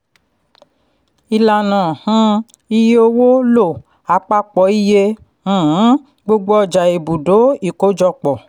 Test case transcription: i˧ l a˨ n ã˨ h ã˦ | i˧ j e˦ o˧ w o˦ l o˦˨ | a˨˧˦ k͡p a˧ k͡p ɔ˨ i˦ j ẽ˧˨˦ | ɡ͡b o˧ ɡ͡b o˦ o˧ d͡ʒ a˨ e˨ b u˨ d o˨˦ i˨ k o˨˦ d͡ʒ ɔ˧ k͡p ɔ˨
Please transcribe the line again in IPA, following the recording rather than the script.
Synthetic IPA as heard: i˧ l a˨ n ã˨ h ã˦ | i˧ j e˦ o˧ w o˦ l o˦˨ | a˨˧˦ k͡p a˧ k͡p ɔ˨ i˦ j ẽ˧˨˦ | ɡ͡b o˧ ɡ͡b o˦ ɔ˧ d͡ʒ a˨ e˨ b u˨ d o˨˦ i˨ k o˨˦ d͡ʒ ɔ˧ k͡p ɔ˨